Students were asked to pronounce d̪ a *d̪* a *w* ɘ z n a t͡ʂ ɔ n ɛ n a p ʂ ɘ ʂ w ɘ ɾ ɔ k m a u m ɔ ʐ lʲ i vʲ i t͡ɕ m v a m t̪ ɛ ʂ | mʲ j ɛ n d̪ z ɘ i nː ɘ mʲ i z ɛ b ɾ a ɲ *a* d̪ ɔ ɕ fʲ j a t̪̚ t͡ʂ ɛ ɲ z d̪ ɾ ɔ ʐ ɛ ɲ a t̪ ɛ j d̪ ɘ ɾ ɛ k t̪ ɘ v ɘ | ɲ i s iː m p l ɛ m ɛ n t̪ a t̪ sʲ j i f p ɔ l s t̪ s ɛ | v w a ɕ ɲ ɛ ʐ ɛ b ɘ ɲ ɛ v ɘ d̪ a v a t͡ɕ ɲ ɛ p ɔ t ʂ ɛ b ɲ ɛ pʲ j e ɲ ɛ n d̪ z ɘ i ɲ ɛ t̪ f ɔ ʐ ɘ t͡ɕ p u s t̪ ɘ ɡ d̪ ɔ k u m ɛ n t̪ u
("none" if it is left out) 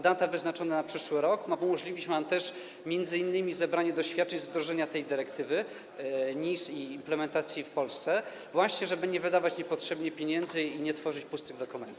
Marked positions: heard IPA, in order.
t̪, v, ɛ

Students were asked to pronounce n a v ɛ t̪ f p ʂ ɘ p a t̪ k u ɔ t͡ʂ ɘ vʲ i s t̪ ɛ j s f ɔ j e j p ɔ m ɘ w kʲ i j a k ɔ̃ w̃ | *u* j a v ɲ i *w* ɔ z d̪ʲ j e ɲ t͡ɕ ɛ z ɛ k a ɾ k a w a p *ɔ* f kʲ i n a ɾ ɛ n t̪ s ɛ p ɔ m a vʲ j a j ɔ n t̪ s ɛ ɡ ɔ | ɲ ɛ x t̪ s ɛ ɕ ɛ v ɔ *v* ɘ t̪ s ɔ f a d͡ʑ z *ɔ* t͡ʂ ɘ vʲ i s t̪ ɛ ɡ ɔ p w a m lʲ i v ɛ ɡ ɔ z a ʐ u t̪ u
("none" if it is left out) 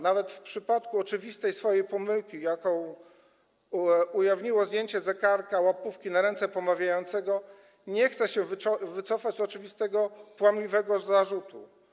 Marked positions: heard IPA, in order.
u, w, u, v, ɔ

